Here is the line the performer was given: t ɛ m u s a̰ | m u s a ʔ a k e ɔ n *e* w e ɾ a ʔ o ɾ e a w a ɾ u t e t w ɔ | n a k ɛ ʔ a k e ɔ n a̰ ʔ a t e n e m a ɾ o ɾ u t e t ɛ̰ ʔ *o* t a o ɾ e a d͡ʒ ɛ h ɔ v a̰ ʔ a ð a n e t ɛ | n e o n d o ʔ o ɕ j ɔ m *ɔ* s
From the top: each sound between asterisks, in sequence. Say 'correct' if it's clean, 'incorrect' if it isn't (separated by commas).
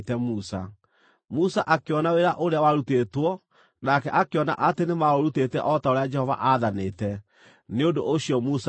incorrect, incorrect, incorrect